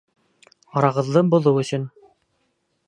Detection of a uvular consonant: present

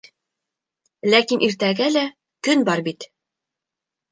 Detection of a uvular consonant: absent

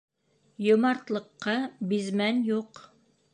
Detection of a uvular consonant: present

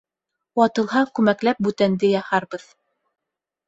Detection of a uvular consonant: absent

